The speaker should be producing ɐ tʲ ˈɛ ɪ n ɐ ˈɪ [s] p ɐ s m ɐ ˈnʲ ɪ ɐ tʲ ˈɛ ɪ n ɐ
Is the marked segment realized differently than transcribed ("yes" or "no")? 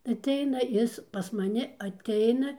no